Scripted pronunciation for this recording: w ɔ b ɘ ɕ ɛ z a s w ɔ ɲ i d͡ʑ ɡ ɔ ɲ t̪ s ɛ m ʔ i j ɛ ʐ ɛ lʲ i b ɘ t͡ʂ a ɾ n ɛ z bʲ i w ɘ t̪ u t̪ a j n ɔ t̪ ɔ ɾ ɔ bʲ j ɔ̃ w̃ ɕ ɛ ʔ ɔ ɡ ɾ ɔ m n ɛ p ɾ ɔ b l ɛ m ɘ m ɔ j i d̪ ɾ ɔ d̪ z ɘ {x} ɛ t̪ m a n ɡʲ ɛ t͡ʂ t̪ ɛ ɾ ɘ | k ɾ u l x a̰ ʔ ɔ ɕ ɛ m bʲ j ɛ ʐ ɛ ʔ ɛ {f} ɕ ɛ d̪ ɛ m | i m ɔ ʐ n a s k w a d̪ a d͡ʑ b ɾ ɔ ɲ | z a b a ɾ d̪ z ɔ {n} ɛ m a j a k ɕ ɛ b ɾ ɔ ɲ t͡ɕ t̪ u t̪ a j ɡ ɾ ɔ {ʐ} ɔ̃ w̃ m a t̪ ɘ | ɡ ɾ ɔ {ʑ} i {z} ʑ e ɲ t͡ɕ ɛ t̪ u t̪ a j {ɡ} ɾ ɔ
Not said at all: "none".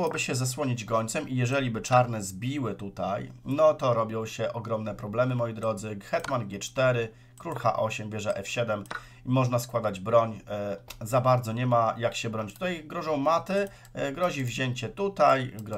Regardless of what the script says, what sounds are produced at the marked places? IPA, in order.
x, f, ɲ, ʐ, ʑ, v, ɡ

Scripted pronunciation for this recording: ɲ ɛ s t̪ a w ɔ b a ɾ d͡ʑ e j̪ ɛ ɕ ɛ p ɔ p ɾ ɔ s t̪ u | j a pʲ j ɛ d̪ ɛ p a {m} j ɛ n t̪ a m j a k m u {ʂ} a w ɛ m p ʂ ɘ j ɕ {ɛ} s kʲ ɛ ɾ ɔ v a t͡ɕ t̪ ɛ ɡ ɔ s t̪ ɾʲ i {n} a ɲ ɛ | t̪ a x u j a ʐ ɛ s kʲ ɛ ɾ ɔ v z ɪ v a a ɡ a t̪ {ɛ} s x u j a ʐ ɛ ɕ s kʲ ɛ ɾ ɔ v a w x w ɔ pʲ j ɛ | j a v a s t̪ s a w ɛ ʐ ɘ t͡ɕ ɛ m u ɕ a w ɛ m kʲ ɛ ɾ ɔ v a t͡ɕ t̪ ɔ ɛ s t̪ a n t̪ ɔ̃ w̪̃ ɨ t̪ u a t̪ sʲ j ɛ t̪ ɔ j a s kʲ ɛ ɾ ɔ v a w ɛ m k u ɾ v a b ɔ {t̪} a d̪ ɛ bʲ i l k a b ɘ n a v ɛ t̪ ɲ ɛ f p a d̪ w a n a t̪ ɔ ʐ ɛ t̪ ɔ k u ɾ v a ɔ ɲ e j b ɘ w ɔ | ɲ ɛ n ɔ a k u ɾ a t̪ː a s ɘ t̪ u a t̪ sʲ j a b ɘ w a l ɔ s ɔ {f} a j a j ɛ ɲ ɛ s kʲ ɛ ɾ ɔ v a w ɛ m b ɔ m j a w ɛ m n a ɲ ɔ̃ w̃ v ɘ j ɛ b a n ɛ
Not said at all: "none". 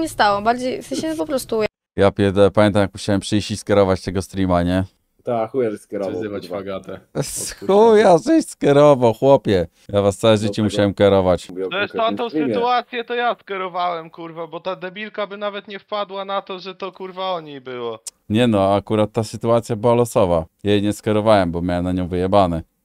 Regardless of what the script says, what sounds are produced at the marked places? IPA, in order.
m, ɕ, i, m, ɛ, t̪, v

